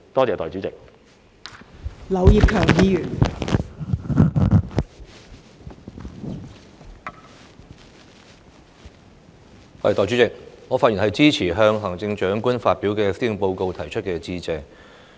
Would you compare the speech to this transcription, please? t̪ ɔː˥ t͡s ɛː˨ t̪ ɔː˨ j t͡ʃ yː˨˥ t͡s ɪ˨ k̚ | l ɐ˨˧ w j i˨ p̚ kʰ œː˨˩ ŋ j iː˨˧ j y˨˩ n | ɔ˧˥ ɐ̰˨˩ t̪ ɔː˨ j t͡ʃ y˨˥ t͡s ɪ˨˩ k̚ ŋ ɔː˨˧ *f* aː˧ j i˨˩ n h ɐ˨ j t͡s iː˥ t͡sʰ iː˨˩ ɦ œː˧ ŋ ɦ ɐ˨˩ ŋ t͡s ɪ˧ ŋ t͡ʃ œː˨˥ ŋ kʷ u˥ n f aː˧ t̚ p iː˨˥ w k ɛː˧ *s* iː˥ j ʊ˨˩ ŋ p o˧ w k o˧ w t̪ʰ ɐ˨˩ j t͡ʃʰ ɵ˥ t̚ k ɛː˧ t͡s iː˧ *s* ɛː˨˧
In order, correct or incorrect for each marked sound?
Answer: correct, correct, incorrect: t͡s

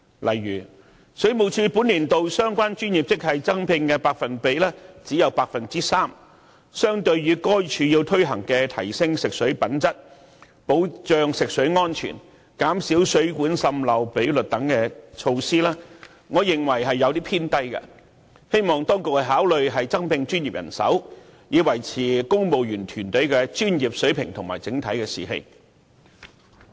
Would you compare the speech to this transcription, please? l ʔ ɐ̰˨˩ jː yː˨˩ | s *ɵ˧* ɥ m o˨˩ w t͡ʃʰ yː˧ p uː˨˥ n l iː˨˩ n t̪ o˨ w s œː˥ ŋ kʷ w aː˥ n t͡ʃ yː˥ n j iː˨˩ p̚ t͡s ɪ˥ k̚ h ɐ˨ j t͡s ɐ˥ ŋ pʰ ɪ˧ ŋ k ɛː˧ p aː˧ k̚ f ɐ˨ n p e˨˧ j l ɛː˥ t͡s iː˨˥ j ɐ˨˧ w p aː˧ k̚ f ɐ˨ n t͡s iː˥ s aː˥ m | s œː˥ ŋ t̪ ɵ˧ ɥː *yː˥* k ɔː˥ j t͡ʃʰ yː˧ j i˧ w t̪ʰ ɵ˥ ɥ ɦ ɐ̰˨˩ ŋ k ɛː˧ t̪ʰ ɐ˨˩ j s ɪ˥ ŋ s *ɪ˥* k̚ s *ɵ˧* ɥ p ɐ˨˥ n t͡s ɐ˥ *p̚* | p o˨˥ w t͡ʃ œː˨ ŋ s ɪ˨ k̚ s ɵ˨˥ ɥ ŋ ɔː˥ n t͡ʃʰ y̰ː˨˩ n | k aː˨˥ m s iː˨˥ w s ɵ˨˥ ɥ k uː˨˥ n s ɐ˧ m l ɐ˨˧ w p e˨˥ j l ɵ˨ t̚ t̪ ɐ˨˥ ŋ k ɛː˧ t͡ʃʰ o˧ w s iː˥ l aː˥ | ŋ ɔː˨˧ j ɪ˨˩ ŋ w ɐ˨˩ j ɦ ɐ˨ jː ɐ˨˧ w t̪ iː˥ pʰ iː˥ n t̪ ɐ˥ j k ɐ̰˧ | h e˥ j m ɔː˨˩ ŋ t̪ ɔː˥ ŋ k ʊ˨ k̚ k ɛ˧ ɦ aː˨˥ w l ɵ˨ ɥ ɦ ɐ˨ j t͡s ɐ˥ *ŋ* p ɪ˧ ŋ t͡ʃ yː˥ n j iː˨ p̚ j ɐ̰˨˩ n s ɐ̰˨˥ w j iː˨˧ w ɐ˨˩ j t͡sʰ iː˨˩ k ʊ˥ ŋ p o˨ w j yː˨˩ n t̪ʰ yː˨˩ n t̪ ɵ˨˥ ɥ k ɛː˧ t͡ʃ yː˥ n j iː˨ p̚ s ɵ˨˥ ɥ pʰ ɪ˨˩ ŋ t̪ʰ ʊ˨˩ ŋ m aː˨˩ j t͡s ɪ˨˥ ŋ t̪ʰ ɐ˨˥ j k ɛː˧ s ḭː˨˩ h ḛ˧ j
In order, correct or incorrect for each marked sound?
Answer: incorrect: ɵ˨˥, incorrect: yː˨˧, incorrect: ɪ˨, incorrect: ɵ˨˥, incorrect: t̚, correct

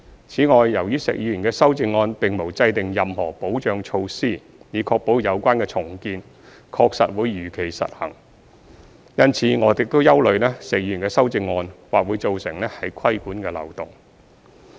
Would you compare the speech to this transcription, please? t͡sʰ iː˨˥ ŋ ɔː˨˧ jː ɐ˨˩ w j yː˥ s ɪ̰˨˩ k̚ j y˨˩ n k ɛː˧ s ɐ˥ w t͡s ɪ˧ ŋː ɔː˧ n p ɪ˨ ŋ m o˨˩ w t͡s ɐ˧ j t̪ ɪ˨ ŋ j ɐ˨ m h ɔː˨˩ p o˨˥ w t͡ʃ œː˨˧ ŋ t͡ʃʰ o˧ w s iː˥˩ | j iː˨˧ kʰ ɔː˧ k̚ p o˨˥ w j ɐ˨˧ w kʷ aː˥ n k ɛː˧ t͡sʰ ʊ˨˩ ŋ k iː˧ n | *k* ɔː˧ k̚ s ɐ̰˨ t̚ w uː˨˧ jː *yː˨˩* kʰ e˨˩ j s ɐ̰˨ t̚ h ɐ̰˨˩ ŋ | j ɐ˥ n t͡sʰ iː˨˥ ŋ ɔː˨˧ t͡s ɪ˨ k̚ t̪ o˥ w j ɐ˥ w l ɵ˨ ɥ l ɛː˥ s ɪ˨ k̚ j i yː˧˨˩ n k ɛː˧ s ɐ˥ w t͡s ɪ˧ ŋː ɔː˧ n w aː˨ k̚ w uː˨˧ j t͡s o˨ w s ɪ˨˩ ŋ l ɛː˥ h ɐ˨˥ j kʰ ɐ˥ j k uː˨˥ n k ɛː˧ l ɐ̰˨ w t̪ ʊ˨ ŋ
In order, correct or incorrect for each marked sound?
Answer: incorrect: kʰ, correct

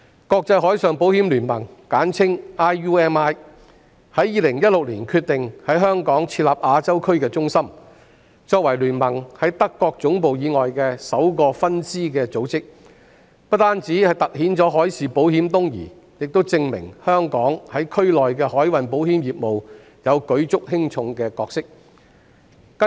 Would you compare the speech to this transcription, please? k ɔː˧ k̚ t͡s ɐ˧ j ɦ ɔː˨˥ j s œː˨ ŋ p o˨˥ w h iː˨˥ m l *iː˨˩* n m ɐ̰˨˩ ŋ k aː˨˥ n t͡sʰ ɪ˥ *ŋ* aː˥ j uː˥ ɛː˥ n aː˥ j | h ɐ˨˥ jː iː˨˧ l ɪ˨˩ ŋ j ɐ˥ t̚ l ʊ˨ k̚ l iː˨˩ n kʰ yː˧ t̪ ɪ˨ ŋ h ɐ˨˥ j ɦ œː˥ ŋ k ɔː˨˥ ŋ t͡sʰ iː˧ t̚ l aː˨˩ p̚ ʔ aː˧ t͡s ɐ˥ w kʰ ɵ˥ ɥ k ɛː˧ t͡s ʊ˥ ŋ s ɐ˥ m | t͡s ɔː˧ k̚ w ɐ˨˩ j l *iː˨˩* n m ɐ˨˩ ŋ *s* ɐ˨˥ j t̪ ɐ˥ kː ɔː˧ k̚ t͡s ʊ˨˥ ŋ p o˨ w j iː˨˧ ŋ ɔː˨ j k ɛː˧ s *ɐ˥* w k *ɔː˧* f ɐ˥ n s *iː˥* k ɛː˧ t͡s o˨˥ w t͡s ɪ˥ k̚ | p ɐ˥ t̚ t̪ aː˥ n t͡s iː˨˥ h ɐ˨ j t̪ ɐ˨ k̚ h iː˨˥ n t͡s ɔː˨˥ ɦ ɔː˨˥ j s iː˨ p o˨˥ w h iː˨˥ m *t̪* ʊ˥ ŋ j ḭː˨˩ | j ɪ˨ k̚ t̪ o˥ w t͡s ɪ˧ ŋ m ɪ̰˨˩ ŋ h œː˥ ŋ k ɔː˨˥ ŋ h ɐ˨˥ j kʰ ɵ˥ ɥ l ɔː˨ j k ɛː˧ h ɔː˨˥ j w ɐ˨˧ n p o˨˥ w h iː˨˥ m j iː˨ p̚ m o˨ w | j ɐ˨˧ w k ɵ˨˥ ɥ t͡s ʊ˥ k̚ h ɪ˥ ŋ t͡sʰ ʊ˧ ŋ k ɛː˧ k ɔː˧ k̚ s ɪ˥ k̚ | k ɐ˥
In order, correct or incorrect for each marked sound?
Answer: incorrect: yː˨˩, correct, incorrect: yː˨˩, incorrect: h, incorrect: ɐ˨˥, correct, correct, correct

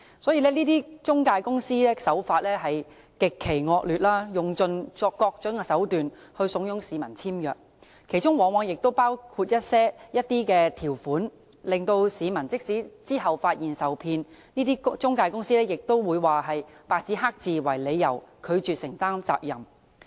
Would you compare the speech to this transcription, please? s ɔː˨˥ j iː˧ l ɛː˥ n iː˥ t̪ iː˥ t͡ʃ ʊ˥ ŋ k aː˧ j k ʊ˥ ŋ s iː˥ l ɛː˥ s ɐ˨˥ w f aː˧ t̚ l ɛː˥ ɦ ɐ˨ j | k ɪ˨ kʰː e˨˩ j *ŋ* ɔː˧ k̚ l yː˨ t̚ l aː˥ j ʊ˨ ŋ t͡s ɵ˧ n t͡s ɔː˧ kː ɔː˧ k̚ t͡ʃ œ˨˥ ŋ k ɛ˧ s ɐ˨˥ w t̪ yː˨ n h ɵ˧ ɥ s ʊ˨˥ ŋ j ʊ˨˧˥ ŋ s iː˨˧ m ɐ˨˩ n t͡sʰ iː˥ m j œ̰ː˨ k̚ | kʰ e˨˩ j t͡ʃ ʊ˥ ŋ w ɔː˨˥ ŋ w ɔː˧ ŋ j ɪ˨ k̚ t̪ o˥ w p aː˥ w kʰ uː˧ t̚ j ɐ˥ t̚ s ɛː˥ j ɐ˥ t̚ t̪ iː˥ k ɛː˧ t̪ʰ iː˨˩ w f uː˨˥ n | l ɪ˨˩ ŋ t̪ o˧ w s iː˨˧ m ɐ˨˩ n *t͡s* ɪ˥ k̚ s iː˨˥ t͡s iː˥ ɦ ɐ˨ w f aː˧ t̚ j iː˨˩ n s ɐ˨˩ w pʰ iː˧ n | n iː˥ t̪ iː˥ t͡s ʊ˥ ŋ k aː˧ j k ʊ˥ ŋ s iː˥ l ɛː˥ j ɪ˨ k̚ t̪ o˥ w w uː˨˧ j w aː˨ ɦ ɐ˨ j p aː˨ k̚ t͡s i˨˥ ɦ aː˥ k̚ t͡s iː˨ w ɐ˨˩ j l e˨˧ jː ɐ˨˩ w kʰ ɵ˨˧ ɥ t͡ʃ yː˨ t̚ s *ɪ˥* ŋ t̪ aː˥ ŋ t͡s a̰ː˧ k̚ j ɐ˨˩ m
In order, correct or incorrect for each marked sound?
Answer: correct, correct, incorrect: ɪ˨˩

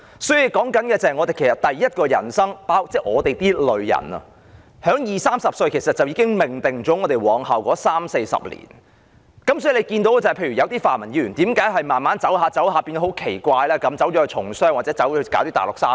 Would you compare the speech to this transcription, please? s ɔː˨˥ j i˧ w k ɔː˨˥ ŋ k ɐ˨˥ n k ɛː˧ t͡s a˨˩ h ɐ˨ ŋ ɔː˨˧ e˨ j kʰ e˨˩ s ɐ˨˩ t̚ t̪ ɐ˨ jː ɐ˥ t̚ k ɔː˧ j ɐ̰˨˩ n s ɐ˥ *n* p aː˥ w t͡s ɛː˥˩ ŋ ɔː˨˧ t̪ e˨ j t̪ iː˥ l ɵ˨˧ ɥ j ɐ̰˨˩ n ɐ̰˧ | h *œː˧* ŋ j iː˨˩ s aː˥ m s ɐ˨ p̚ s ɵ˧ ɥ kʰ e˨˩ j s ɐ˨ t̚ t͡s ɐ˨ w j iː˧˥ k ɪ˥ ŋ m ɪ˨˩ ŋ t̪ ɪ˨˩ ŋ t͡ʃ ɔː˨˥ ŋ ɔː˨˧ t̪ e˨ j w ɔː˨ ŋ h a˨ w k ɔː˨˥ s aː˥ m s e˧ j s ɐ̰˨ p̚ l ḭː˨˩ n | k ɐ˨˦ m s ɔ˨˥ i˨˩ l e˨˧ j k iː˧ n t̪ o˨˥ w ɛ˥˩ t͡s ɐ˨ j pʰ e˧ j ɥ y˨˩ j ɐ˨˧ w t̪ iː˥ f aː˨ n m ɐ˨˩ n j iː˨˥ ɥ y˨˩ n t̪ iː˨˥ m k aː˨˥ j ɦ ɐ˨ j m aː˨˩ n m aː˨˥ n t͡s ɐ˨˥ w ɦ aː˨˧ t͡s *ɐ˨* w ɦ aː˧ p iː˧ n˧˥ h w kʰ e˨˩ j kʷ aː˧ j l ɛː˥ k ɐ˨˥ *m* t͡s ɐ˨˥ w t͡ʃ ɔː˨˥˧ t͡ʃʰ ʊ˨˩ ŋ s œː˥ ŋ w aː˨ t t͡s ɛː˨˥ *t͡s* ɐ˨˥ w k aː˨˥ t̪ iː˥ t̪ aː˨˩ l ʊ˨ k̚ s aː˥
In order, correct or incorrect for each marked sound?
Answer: incorrect: ŋ, incorrect: œː˨˥, incorrect: ɐ˨˥, correct, correct

